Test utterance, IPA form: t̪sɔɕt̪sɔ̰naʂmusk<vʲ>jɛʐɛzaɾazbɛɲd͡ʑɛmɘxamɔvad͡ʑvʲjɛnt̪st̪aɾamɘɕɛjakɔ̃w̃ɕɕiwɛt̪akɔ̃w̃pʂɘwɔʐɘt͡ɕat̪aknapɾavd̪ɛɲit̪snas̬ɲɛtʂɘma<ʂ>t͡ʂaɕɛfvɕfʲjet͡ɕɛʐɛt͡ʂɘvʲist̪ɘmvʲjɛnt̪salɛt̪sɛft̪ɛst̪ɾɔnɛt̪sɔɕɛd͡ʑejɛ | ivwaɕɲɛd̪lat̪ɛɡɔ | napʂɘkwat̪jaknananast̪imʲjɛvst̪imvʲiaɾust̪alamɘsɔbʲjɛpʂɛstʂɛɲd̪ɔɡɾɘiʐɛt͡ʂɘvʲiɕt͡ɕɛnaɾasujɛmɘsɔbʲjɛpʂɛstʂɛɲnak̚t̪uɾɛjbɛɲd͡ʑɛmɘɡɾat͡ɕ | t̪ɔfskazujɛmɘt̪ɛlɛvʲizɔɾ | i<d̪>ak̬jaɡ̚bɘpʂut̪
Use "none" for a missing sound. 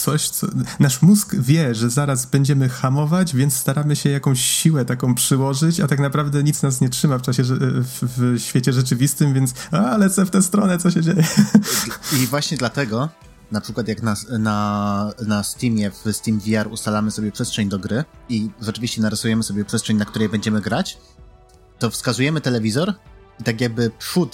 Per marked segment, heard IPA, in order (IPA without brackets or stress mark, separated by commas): vʲ, f, t̪